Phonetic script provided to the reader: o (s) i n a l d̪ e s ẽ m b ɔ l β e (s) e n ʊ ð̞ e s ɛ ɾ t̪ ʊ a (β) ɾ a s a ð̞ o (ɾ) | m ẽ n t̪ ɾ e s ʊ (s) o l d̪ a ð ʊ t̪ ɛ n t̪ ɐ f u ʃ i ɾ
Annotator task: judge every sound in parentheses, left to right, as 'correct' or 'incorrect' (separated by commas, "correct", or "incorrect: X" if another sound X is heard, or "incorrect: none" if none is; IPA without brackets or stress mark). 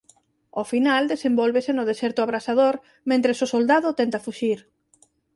incorrect: f, correct, correct, correct, correct